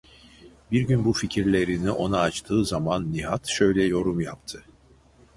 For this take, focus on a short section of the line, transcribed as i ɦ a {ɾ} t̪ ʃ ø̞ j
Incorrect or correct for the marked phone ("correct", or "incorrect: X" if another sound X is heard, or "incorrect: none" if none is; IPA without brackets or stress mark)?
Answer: incorrect: none